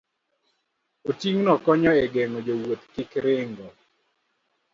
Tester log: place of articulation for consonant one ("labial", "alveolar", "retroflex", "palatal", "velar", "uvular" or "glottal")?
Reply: alveolar